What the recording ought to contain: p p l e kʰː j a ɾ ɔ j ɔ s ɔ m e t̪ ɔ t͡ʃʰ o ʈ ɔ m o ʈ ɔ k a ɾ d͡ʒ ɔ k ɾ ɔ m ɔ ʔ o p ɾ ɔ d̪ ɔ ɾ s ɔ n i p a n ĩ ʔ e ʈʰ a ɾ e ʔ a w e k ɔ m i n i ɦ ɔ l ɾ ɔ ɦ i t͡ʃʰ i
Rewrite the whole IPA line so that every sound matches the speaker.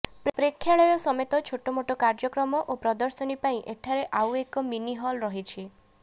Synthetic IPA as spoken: p p ɾ e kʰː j a ɭ ɔ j ɔ s ɔ m e t̪ ɔ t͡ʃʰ o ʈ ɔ m o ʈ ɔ k a ɾ d͡ʒ ɔ k ɾ ɔ m ɔ ʔ o p ɾ ɔ d̪ ɔ ɾ s ɔ n i p a ĩ ʔ e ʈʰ a ɾ e ʔ a w e k ɔ m i n i ɦ ɔ l ɾ ɔ ɦ i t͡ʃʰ i